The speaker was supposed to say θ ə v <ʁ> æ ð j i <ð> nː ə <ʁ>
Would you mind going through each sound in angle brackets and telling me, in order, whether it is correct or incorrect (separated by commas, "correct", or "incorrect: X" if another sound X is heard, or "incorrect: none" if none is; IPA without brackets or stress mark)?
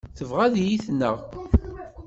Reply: correct, incorrect: θ, correct